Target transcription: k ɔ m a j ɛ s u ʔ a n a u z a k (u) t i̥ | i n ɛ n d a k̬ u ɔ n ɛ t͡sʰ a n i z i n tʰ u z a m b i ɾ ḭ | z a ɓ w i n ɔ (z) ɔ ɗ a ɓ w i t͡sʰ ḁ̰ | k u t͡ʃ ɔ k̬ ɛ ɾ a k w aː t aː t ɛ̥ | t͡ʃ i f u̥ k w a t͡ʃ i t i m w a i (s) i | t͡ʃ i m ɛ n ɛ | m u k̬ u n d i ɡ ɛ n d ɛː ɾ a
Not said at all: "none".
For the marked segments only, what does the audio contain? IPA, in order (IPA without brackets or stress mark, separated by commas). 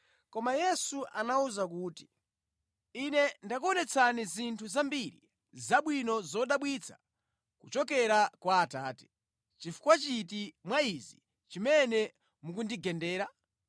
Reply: uː, z, z